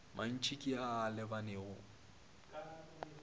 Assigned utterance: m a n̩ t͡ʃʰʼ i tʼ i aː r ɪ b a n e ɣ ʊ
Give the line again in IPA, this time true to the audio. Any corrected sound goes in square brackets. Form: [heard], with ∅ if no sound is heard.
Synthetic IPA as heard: m a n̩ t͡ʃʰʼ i [kʼ] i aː [l] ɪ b a n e ɣ ʊ